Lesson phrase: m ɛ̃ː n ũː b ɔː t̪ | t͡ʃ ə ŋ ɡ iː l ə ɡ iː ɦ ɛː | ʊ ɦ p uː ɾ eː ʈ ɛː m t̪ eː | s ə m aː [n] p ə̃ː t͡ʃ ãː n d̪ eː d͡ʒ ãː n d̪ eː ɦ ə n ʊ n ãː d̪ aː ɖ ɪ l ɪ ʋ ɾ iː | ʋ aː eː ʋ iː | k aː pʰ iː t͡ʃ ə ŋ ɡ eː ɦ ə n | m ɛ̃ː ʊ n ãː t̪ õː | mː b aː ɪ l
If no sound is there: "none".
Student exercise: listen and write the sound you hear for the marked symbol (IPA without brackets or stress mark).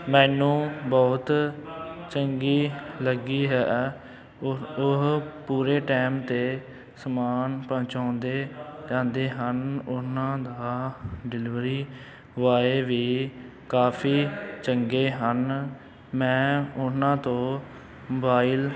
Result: n